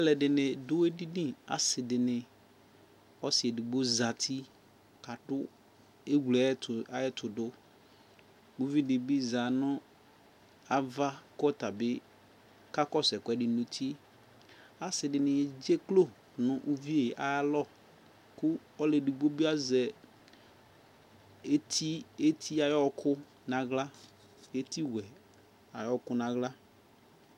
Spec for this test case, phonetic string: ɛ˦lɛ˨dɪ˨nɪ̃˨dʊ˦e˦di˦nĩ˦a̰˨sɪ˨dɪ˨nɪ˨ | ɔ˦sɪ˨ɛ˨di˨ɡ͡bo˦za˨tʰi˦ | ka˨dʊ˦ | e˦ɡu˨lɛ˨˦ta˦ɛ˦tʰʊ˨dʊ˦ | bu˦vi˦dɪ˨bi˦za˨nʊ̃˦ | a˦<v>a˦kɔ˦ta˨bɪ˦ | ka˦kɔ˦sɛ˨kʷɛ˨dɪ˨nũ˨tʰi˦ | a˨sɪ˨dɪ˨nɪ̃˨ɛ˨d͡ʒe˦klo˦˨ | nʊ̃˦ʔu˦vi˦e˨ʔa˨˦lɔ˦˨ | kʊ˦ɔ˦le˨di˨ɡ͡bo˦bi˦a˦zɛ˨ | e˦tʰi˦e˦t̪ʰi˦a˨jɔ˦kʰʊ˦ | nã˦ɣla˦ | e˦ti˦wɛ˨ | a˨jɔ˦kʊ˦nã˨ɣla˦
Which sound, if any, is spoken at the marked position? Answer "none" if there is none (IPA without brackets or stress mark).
v